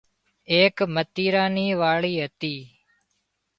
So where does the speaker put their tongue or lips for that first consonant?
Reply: velum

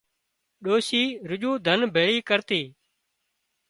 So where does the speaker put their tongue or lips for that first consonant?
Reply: tongue tip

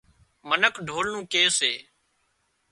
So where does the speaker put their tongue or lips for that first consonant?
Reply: lips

